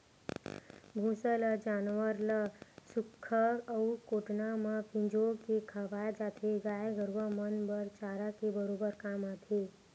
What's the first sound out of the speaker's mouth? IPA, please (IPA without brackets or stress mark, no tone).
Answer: bʱ